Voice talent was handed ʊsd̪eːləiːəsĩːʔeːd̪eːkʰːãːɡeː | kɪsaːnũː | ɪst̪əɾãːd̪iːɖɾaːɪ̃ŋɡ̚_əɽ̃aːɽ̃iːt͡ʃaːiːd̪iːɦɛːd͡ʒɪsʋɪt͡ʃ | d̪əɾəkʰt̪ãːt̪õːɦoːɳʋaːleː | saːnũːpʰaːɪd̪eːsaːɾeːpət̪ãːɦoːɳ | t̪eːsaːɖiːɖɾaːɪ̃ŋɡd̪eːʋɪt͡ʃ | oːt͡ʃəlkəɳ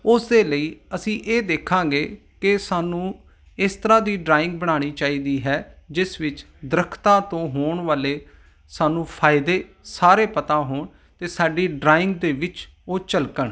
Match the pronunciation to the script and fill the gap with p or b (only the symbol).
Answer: b